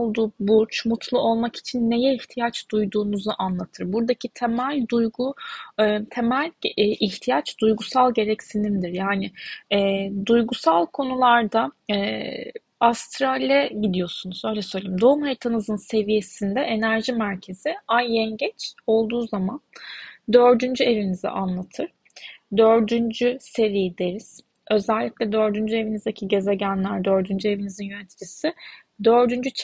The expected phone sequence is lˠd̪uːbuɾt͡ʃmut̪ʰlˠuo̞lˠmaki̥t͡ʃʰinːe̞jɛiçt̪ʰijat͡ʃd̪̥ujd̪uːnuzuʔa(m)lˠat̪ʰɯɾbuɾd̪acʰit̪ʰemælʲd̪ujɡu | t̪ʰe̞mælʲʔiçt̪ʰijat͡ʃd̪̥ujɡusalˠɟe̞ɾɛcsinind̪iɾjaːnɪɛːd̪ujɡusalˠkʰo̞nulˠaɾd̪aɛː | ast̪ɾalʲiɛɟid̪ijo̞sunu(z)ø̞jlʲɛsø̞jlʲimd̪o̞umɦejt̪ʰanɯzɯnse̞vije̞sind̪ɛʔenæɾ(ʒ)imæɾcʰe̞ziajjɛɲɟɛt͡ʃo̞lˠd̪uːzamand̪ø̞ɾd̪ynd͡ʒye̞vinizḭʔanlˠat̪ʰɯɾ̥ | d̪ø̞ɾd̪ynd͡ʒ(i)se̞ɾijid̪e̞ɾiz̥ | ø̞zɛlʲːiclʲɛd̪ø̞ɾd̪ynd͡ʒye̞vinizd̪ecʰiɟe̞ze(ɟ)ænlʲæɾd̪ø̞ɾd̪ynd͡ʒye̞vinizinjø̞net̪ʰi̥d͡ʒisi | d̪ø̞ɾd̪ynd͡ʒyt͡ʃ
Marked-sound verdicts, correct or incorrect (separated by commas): incorrect, correct, correct, incorrect, correct